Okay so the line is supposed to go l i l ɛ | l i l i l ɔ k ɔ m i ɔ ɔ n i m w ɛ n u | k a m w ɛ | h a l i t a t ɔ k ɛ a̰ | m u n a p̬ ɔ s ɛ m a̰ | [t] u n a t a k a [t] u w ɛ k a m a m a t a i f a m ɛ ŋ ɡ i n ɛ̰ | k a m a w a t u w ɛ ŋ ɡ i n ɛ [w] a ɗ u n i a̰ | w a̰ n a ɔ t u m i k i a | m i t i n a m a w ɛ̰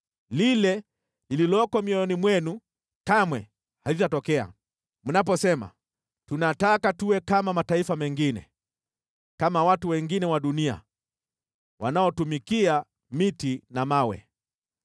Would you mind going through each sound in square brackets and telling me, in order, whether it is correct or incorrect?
correct, correct, correct

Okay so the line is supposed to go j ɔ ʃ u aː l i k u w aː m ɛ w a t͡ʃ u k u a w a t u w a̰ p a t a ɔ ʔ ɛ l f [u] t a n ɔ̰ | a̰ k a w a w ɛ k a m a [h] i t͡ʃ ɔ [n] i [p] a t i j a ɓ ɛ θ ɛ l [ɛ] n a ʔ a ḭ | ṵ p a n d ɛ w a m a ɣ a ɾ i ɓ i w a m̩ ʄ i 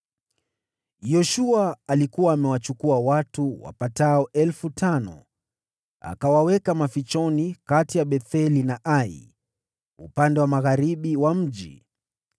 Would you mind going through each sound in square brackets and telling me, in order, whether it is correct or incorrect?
correct, incorrect, correct, incorrect, incorrect

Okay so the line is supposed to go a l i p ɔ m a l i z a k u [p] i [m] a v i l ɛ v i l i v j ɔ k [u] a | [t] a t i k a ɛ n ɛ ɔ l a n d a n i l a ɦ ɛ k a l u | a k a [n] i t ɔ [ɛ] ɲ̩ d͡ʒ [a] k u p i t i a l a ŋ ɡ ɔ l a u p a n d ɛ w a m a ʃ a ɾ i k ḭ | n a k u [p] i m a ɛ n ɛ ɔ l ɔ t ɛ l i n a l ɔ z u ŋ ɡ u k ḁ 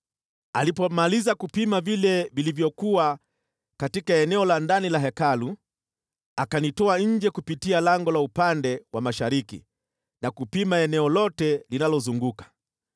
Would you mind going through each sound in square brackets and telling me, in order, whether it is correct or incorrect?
correct, correct, correct, incorrect, correct, incorrect, incorrect, correct

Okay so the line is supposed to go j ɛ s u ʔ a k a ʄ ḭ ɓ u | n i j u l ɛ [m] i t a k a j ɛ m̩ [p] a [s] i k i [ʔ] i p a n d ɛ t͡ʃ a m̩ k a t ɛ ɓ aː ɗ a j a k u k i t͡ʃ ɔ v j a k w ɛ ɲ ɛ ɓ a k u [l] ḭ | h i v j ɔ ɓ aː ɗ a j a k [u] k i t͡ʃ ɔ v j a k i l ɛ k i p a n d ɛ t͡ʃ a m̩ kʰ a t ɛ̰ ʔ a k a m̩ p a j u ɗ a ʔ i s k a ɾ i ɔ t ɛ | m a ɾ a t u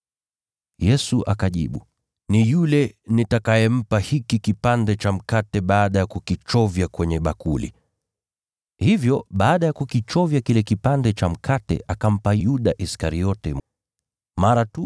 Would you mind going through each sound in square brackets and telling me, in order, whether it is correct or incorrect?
incorrect, correct, incorrect, incorrect, correct, correct

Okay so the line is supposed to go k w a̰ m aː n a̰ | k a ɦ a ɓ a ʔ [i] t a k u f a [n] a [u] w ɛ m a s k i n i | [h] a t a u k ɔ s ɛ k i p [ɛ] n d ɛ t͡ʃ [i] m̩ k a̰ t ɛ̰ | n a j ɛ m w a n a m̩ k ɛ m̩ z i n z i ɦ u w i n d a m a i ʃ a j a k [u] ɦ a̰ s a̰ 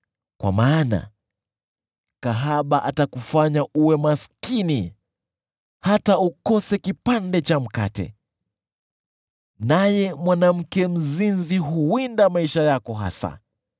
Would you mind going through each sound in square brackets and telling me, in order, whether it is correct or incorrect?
incorrect, incorrect, correct, correct, incorrect, incorrect, incorrect

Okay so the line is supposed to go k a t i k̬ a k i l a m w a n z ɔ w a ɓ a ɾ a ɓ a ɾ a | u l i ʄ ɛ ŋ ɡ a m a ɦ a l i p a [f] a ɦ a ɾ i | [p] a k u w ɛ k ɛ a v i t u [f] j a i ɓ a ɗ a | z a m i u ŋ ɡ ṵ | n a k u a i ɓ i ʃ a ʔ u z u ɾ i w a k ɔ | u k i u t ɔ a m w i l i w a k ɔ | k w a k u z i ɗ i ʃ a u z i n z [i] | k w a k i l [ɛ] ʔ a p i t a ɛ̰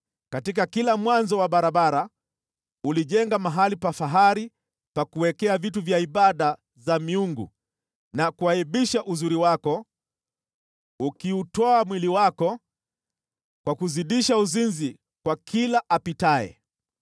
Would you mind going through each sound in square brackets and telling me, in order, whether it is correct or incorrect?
correct, correct, incorrect, correct, incorrect

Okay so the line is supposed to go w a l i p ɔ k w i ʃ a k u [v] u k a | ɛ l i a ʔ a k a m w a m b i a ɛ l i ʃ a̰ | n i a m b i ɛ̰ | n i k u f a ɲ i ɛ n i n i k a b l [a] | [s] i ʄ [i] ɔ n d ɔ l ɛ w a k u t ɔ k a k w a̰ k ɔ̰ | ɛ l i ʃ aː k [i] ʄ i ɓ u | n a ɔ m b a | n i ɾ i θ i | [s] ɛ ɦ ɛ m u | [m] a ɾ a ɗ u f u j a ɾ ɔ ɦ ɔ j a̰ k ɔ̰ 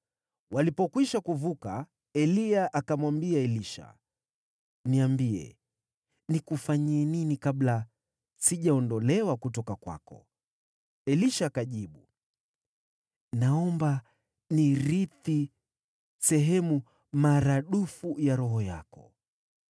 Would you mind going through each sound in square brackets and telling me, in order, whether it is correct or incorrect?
correct, correct, correct, incorrect, incorrect, correct, correct

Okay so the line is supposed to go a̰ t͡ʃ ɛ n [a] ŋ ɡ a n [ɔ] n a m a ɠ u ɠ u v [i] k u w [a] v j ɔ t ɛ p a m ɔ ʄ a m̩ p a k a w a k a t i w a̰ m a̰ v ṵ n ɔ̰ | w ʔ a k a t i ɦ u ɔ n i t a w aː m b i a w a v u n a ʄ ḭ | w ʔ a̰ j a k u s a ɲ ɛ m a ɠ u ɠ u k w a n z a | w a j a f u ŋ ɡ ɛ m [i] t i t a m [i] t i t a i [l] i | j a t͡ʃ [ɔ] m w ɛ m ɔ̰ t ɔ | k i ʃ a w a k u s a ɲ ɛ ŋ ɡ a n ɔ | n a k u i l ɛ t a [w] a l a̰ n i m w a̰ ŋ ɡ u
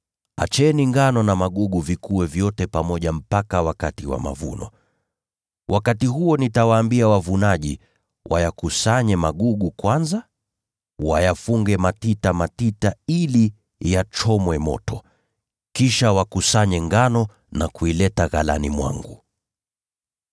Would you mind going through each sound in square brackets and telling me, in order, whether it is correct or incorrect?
incorrect, correct, correct, incorrect, incorrect, incorrect, correct, correct, incorrect

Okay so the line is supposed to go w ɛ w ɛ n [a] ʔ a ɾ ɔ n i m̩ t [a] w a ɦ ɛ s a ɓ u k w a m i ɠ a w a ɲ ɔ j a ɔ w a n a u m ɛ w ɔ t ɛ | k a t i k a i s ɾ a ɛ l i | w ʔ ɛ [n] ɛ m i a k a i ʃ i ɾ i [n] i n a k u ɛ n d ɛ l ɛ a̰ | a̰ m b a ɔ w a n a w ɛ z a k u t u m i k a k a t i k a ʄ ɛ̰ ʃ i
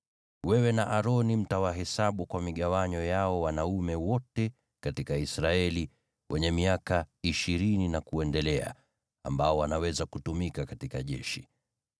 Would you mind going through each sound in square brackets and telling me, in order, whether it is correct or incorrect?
correct, correct, incorrect, correct

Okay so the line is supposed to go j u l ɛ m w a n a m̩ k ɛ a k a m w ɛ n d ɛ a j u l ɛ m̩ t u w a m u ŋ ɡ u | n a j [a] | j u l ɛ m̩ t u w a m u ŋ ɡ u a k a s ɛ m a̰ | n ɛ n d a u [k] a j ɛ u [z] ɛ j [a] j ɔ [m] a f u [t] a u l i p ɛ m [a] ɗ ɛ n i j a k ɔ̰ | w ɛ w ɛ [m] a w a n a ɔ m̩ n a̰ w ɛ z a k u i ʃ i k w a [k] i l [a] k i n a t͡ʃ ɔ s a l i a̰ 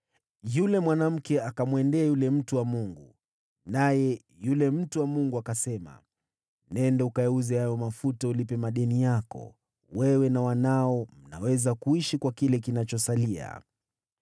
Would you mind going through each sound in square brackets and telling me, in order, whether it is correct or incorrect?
incorrect, correct, correct, correct, correct, correct, correct, incorrect, correct, incorrect

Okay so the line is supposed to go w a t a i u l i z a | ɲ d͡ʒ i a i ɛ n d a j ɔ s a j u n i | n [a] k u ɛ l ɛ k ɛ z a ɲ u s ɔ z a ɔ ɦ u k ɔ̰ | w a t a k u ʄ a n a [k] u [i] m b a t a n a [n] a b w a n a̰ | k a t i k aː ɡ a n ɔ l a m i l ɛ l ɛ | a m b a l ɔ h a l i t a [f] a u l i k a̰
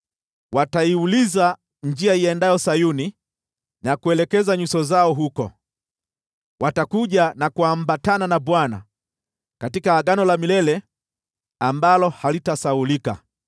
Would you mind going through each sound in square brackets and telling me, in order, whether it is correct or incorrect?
correct, correct, incorrect, correct, incorrect

